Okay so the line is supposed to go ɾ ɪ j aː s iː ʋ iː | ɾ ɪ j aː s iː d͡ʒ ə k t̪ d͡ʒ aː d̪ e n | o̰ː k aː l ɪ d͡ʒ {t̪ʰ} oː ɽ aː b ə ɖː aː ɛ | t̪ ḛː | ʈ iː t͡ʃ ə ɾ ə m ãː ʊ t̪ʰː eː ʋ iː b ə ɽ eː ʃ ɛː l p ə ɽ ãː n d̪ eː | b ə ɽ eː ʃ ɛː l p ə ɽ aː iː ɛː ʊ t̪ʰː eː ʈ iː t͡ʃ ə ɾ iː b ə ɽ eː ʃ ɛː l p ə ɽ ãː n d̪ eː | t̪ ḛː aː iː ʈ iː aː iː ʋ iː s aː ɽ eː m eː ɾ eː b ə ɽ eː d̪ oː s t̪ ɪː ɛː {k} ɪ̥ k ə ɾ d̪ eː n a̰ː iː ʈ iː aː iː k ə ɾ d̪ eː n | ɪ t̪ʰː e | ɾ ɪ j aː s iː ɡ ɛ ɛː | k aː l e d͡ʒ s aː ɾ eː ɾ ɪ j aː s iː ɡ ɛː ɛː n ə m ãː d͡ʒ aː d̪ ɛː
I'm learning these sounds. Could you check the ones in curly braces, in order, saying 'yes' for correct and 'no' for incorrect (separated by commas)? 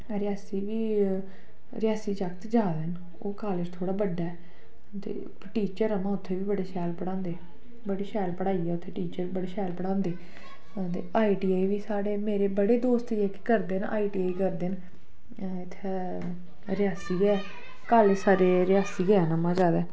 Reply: yes, yes